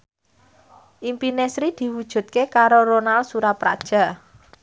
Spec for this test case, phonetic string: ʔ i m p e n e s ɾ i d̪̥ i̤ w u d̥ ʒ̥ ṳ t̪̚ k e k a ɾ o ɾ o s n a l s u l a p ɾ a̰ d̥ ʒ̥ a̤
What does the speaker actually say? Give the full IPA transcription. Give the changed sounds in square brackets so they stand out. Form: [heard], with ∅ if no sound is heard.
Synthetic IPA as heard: ʔ i m p [i] n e s ɾ i d̪̥ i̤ w u d̥ ʒ̥ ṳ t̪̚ k e k a ɾ o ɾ o [∅] n a l s u [ɾ] a p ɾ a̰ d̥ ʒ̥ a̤